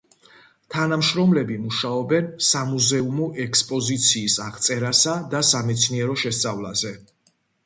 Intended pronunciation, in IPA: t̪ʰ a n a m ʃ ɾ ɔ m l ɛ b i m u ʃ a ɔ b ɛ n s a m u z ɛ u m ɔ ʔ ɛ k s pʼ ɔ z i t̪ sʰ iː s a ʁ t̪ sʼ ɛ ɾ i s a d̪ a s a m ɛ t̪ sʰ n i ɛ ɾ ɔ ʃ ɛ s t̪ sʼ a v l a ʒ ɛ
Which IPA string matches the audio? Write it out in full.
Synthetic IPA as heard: t̪ʰ a n a m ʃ ɾ ɔ m l ɛ b i m u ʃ a ɔ b ɛ n s a m u z ɛ u m ɔ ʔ ɛ k s pʼ ɔ z i t̪ sʰ iː s a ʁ t̪ sʼ ɛ ɾ a s a d̪ a s a m ɛ t̪ sʰ n i ɛ ɾ ɔ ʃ ɛ s t̪ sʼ a v l a z ɛ